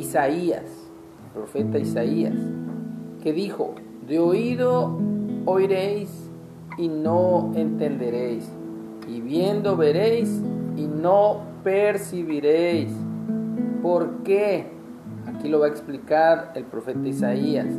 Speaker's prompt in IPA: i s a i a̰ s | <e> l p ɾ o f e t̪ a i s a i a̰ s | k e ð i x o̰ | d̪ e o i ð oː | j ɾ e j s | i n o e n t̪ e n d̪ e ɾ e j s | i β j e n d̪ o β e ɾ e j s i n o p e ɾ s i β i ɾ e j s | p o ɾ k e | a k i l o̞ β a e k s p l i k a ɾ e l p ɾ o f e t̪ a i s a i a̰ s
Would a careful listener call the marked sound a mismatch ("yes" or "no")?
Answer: no